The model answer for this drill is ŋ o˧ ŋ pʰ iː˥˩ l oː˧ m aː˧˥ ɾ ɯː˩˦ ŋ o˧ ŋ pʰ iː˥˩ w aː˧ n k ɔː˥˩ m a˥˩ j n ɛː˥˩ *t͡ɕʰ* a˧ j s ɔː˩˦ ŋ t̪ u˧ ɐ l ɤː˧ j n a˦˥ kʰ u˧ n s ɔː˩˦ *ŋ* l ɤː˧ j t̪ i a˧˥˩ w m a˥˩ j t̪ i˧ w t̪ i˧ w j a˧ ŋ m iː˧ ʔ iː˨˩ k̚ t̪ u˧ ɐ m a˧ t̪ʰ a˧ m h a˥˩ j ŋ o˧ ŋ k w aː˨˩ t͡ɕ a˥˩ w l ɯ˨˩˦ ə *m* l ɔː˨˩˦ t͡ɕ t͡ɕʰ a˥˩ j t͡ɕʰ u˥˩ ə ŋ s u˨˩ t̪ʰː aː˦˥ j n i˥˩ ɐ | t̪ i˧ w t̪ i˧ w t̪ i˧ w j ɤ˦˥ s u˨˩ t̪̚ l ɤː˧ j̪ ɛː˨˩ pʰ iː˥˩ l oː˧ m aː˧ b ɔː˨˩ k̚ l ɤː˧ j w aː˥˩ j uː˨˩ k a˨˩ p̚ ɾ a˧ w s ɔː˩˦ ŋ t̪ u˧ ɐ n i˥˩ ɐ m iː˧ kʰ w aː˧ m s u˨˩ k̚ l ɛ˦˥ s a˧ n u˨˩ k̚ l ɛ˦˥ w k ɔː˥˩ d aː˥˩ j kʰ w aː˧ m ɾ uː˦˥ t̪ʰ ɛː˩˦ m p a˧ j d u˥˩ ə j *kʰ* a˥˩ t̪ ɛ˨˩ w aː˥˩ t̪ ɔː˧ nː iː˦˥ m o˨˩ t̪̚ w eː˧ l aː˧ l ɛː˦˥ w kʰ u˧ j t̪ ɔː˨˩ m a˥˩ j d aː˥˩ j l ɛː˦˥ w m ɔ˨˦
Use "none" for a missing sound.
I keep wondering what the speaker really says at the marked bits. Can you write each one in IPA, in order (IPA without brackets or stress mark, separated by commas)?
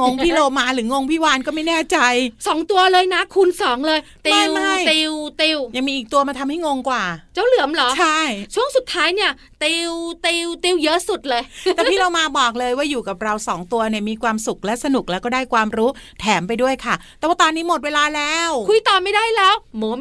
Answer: t͡ɕ, ŋ, m, kʰ